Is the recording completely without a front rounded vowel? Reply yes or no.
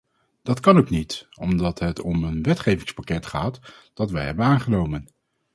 yes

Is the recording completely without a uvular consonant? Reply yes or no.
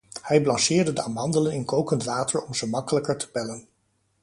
yes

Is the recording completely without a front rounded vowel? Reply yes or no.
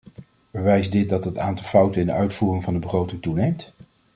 no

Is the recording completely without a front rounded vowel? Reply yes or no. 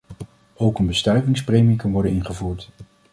no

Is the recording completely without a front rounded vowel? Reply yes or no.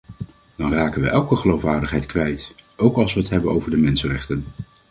yes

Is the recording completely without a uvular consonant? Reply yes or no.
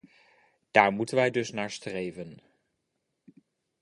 yes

